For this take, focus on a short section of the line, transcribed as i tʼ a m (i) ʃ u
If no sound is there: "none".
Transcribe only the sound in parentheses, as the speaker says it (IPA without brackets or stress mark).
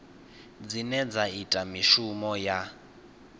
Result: i